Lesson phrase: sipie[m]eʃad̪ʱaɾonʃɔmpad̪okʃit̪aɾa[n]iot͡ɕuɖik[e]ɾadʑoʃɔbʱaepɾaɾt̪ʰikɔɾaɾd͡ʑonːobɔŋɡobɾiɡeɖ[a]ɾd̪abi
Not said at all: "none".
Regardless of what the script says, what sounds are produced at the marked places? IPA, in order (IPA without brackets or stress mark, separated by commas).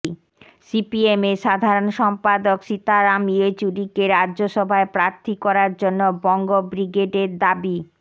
m, m, e, e